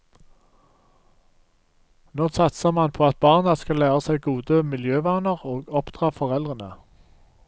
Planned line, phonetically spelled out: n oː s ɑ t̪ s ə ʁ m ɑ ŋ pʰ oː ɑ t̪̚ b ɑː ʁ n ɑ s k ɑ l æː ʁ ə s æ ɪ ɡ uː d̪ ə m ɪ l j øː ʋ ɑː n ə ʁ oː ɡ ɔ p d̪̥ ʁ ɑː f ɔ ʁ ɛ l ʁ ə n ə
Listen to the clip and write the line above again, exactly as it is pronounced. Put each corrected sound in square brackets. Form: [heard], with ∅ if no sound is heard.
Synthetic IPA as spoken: n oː s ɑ t̪ s ə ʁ m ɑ [n] pʰ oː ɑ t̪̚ b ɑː ʁ n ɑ s k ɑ l æː ʁ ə s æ ɪ ɡ uː d̪ ə m ɪ l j øː ʋ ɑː n ə ʁ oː ɡ ɔ p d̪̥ ʁ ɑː f ɔ ʁ ɛ l ʁ ə n ə

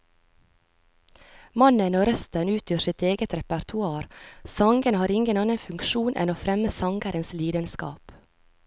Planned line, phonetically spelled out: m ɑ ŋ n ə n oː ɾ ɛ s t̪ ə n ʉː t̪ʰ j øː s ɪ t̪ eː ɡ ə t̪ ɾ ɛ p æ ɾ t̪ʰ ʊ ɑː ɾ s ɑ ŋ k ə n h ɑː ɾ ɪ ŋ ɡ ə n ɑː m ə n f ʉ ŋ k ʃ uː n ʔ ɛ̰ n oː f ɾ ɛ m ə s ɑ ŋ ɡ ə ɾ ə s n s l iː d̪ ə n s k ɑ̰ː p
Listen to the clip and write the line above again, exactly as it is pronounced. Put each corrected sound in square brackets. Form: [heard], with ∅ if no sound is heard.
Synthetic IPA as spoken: m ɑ [∅] n ə n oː ɾ [œ] s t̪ ə n ʉː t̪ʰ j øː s ɪ t̪ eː ɡ ə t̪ ɾ ɛ p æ ɾ t̪ʰ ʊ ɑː ɾ s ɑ ŋ [ɡ] ə n h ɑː ɾ ɪ ŋ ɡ ə n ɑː [n] ə n f ʉ ŋ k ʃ uː n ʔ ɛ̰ n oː f ɾ ɛ m ə s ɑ ŋ ɡ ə ɾ ə [∅] n s l iː d̪ ə n s k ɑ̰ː p

